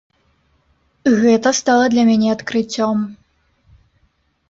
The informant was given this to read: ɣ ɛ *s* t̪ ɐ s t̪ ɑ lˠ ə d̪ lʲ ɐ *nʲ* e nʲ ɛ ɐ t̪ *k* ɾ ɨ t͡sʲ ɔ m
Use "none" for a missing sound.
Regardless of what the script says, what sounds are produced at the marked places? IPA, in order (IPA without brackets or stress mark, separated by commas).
none, mʲ, k